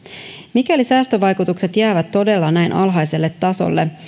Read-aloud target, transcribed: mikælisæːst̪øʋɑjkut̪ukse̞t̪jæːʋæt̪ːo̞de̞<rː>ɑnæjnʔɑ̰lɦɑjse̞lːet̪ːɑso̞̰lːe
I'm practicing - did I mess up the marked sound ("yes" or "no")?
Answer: yes